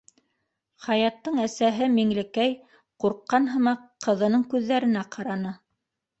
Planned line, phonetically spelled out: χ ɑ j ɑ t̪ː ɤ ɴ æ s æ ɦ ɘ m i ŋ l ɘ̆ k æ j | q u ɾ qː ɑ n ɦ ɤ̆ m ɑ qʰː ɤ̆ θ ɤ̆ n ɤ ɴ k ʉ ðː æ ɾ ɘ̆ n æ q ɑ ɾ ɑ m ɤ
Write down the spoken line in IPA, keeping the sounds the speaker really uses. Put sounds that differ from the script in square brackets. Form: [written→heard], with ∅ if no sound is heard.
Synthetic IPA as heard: χ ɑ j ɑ t̪ː ɤ ɴ æ s æ ɦ ɘ m i ŋ l ɘ̆ k æ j | q u ɾ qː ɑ n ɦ ɤ̆ m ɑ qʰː ɤ̆ [θ→ð] ɤ̆ n ɤ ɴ k ʉ ðː æ ɾ ɘ̆ n æ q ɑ ɾ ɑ [m→n] ɤ